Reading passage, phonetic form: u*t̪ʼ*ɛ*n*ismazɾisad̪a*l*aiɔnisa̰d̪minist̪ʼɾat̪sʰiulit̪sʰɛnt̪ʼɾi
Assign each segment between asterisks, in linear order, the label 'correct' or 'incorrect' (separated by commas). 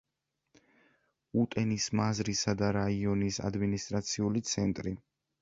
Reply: correct, correct, incorrect